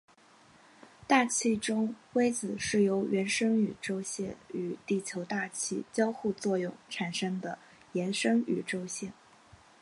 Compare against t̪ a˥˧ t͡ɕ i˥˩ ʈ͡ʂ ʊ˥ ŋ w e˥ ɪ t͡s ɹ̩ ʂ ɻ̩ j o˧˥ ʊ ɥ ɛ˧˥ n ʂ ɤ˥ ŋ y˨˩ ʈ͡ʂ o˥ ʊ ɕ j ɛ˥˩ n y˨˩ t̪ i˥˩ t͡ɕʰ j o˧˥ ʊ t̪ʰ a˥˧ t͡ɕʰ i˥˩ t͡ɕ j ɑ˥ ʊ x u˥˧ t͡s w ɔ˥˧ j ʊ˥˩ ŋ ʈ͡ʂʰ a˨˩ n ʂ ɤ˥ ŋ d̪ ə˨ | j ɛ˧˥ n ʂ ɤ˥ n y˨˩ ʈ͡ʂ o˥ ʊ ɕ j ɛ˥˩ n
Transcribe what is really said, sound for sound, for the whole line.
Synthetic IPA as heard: t̪ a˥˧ t͡ɕʰ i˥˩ ʈ͡ʂ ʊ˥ ŋ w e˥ ɪ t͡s ɹ̩ ʂ ɻ̩ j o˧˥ ʊ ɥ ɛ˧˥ n ʂ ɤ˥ ŋ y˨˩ ʈ͡ʂ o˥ ʊ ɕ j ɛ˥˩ n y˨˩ t̪ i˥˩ t͡ɕʰ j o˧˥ ʊ t̪ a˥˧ t͡ɕʰ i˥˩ t͡ɕ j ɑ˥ ʊ x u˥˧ t͡s w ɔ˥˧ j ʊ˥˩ ŋ ʈ͡ʂʰ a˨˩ n ʂ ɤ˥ ŋ d̪ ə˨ | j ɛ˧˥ n ʂ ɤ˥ ŋ y˨˩ ʈ͡ʂ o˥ ʊ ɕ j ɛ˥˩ n

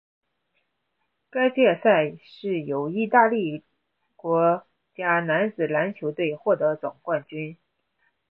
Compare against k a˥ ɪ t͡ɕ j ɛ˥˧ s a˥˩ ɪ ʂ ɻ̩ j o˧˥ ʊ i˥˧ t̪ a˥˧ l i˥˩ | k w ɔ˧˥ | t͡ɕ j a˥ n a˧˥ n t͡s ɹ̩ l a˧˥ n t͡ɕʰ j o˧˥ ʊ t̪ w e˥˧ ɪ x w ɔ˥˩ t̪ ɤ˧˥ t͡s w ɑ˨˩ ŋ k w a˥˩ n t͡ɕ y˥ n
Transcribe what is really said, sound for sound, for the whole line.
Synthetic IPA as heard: k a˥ ɪ t͡ɕ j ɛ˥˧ s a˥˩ ɪ ʂ ɻ̩ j o˨˩ ʊ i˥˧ t̪ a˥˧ l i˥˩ | k w ɔ˧˥ | t͡ɕ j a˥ n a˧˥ n t͡s ɹ̩ l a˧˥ n t͡ɕʰ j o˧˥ ʊ t̪ w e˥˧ ɪ x w ɔ˥˩ t̪ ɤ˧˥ t͡s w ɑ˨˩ ŋ k w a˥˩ n t͡ɕ y˥ n

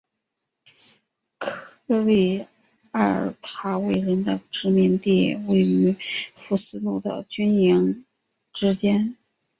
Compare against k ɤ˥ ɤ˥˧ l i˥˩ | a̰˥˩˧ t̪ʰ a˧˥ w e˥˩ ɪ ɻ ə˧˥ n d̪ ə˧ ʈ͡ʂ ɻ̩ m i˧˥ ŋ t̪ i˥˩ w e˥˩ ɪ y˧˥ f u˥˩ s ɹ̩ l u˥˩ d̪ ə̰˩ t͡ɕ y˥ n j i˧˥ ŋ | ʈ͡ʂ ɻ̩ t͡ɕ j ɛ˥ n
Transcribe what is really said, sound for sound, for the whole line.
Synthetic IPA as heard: kʰ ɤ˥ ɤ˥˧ l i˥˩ | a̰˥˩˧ t̪ʰ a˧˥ w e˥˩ ɪ ɻ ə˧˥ n d̪ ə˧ ʈ͡ʂ ɻ̩ m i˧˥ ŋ t̪ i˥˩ w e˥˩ ɪ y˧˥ f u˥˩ s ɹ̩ l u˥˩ d̪ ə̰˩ t͡ɕ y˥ n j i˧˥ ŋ | ʈ͡ʂ ɻ̩ t͡ɕ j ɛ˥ n

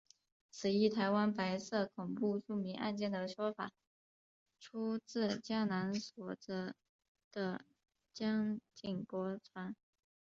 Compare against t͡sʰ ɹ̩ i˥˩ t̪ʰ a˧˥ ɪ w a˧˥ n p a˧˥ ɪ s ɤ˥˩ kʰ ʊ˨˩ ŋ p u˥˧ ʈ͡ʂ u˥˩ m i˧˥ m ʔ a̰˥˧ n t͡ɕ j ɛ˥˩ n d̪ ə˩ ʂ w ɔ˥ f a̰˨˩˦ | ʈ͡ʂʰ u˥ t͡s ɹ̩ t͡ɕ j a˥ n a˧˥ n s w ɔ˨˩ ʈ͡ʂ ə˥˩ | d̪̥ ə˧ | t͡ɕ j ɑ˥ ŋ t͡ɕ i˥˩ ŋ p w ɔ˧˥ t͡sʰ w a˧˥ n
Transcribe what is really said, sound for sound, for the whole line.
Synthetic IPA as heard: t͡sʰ ɹ̩ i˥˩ t̪ʰ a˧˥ ɪ w a˥ n p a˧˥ ɪ s ɤ˥˩ kʰ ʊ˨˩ ŋ p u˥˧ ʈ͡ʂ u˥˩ m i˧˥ ŋ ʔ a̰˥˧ n t͡ɕ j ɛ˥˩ n d̪ ə˩ ʂ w ɔ˥ f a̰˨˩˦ | ʈ͡ʂʰ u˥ t͡s ɹ̩ t͡ɕ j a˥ n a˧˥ n s w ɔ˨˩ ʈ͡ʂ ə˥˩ | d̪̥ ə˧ | t͡ɕ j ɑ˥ ŋ t͡ɕ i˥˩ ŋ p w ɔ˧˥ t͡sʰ w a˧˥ n

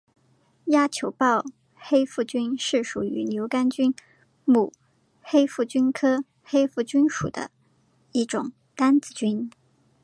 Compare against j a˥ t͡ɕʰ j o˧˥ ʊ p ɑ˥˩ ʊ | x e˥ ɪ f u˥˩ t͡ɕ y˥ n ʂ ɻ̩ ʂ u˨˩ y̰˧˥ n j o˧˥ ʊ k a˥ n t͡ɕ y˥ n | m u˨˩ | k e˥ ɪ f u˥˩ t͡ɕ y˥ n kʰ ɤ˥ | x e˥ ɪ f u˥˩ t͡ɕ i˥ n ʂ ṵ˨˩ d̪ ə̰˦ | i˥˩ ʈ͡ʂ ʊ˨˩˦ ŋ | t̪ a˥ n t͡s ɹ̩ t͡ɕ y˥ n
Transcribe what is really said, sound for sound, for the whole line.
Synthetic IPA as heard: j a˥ t͡ɕʰ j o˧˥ ʊ p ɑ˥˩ ʊ | x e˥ ɪ f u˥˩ t͡ɕ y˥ n ʂ ɻ̩ ʂ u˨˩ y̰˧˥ n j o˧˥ ʊ k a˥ n t͡ɕ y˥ n | m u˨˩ | x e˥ ɪ f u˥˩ t͡ɕ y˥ n kʰ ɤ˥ | x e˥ ɪ f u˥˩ t͡ɕ y˥ n ʂ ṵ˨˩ d̪ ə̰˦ | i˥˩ ʈ͡ʂ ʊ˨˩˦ ŋ | t̪ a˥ n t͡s ɹ̩ t͡ɕ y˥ n

